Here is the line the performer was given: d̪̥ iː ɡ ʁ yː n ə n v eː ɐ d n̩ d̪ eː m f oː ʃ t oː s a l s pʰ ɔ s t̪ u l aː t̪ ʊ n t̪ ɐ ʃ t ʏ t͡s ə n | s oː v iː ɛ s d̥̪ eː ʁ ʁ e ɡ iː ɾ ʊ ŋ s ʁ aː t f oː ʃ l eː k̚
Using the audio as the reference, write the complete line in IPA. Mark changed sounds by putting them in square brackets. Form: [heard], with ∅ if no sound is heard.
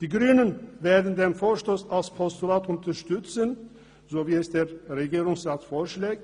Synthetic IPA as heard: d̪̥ iː ɡ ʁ yː n ə n v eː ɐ d n̩ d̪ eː m f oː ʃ t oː s a l s pʰ ɔ s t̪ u l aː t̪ ʊ n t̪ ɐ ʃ t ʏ t͡s ə n | [z] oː v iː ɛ s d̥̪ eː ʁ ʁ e ɡ iː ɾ ʊ ŋ s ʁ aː t f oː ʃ l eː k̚